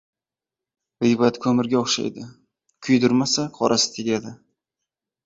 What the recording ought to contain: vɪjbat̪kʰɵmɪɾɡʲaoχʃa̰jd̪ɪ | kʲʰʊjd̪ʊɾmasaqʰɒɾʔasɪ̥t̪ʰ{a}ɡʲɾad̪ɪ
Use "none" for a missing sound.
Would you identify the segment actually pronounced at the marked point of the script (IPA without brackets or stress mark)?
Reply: e